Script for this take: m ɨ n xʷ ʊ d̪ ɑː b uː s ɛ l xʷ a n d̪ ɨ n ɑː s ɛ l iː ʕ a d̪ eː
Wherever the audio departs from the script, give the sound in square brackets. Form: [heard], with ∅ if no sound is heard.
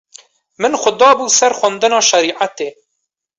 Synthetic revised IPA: m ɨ n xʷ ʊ d̪ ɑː b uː s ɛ [ɾ] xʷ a n d̪ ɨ n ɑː [ʃ] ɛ [ɾ] iː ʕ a [t̪] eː